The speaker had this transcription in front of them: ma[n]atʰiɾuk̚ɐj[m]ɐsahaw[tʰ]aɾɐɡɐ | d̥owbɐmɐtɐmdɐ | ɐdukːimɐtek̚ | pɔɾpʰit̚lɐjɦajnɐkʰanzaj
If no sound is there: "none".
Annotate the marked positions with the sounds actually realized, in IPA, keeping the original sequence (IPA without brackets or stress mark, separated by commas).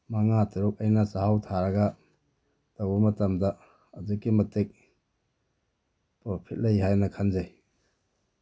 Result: ŋ, n, tʰ